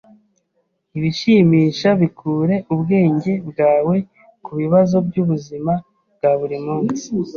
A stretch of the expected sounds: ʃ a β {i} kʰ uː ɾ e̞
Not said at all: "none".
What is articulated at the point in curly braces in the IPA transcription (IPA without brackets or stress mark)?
i